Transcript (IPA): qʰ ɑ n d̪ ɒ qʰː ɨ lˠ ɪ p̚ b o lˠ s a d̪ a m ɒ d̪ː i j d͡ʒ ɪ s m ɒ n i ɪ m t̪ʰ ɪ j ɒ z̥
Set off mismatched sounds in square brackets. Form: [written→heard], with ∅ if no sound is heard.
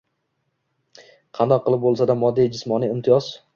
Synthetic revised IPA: qʰ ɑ n d̪ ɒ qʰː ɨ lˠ ɪ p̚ b o lˠ s a d̪ a m ɒ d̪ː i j d͡ʒ ɪ s m ɒ n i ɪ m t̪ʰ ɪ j ɒ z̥